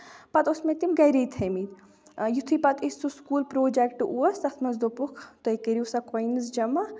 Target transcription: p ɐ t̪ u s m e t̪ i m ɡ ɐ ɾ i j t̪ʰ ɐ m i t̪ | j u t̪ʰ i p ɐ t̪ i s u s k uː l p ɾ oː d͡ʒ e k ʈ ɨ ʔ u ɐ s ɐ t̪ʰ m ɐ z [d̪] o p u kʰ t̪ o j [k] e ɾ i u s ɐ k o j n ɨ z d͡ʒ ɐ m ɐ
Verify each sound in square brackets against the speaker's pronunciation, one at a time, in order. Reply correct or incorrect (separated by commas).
correct, correct